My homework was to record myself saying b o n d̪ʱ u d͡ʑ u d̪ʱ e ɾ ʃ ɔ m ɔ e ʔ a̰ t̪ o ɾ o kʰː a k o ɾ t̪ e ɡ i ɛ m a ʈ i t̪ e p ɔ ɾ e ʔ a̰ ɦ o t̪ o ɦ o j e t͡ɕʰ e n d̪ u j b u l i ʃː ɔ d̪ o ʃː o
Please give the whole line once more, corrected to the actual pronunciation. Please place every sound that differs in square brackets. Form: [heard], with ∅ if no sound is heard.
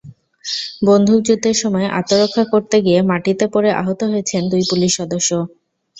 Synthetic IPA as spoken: b o n d̪ʱ u d͡ʑ u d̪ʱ e ɾ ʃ ɔ m ɔ e ʔ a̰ t̪ o ɾ o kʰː a k o ɾ t̪ e ɡ i [e] m a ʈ i t̪ e p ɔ ɾ e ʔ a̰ ɦ o t̪ o ɦ o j e t͡ɕʰ e n d̪ u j [p] u l i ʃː ɔ d̪ o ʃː o